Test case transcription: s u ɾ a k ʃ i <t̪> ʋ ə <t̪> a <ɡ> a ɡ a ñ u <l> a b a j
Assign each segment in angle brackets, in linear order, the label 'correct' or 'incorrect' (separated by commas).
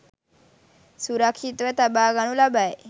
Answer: correct, correct, incorrect, correct